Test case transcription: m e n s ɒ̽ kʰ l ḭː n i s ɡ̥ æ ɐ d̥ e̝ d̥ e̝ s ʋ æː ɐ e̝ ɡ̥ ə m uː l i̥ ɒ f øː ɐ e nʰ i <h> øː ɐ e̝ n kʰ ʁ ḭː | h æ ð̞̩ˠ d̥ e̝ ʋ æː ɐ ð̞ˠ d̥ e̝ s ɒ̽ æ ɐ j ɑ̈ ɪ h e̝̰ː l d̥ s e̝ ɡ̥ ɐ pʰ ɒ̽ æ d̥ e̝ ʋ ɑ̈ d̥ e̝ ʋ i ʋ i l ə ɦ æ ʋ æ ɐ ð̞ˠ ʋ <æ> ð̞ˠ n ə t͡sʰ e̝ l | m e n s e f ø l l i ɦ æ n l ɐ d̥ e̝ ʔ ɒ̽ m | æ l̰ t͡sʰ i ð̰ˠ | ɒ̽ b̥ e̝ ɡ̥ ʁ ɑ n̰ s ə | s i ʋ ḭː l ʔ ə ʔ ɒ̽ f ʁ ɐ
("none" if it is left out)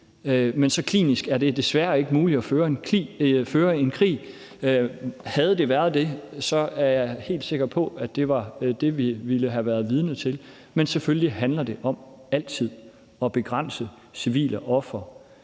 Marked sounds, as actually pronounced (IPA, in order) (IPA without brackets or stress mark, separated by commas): f, i